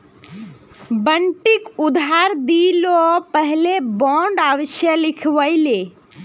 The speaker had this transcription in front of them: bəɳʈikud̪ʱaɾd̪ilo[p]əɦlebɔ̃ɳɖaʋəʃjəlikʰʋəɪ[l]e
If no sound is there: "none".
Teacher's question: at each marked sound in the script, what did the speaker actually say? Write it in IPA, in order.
p, l

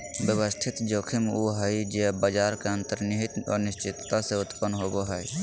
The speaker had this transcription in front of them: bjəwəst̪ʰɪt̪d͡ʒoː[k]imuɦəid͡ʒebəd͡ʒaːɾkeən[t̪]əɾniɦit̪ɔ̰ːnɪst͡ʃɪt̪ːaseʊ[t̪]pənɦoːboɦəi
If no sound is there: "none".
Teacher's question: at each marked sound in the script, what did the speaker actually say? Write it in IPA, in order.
kʰ, t̪, t̪

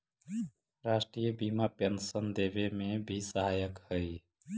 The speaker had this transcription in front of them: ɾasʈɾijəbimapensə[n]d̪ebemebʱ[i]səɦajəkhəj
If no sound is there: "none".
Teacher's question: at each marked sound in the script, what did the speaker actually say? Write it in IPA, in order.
n, i

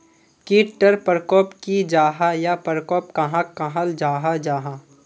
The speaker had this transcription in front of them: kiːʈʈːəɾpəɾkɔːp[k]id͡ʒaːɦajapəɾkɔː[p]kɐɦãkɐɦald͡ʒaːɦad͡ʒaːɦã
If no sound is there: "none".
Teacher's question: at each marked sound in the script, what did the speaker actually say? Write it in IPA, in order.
k, p

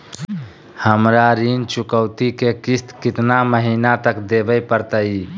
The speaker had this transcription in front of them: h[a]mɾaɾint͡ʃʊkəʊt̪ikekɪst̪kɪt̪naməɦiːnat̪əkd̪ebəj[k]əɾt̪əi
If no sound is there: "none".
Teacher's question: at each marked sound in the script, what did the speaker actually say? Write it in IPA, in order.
ə, p

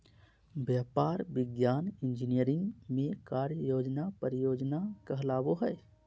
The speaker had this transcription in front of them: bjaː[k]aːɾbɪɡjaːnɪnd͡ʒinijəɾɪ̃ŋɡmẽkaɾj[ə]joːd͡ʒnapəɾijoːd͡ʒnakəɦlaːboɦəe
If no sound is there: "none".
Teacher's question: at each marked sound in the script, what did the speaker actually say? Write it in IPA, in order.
p, ə

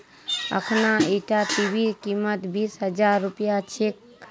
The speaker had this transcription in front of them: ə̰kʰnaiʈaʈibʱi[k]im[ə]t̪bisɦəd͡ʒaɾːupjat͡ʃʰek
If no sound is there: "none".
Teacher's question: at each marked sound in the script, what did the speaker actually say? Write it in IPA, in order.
k, ə

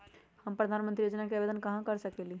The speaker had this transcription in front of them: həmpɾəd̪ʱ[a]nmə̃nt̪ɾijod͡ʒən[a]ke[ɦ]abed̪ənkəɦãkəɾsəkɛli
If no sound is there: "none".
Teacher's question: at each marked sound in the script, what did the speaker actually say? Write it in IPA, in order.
a, a, none

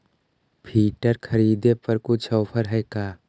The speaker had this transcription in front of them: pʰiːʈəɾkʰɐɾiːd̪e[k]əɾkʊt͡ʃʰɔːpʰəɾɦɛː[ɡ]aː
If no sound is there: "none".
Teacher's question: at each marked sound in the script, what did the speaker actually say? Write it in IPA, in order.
p, k

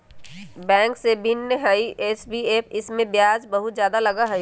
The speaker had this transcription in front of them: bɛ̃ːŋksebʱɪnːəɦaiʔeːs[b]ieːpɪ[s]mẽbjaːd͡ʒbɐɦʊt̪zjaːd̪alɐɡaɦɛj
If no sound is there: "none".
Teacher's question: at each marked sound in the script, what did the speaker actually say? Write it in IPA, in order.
b, s

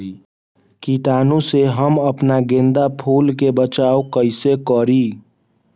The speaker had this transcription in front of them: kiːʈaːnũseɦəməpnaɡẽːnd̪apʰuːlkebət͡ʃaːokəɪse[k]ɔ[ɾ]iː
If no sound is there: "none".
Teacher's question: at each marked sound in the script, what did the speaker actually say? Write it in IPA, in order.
k, ɾ

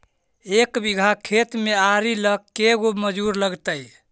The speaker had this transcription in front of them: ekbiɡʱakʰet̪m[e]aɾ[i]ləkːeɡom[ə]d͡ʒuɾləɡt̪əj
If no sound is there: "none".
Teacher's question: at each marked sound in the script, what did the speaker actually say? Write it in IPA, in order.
e, i, ə

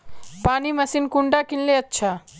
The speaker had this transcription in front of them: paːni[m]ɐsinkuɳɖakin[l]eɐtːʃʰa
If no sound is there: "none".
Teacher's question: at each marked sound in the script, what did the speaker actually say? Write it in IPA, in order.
m, l

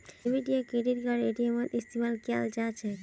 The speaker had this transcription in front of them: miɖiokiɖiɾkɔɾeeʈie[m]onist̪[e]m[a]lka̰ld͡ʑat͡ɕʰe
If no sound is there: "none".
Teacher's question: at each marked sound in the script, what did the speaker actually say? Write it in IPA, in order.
m, i, a

